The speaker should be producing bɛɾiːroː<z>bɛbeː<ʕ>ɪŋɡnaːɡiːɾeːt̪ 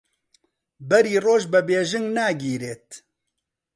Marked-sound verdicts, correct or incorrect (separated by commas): incorrect, incorrect